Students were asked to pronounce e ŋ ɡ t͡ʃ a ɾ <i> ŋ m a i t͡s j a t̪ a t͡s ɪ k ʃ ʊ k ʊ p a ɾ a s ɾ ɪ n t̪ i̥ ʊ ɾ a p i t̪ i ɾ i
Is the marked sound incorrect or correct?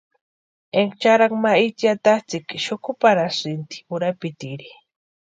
incorrect